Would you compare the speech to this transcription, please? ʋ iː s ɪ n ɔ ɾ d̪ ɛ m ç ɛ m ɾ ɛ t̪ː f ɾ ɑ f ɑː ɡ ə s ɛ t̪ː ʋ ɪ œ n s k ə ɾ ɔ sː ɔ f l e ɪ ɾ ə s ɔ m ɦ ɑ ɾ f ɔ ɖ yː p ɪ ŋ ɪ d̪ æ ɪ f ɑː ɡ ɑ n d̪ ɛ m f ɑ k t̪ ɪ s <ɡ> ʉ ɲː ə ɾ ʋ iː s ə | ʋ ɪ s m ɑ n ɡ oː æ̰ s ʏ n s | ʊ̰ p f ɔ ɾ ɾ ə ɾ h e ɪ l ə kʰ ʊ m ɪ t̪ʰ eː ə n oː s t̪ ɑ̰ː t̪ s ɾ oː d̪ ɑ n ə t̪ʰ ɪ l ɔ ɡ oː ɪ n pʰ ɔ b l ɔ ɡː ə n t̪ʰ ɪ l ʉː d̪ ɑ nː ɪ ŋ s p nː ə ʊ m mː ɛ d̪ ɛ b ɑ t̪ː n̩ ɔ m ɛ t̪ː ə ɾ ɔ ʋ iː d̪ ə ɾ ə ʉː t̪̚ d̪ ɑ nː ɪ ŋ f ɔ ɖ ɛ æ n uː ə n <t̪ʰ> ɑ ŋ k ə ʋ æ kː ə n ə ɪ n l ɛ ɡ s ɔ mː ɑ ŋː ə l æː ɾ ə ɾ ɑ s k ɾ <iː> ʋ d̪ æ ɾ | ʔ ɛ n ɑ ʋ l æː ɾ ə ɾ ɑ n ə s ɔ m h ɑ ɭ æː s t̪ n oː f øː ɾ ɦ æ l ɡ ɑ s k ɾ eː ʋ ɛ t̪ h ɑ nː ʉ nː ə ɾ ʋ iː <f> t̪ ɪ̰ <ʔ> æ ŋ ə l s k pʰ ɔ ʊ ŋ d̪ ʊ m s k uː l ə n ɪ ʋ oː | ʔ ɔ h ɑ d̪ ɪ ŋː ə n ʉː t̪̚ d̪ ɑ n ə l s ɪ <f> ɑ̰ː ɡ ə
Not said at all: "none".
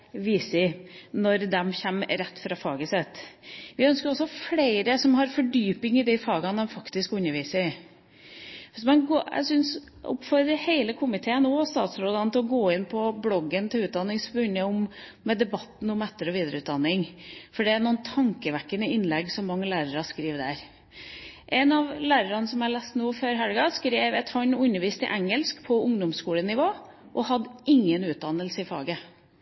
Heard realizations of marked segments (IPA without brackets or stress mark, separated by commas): k, t̪ʰ, iː, s, ʔ, f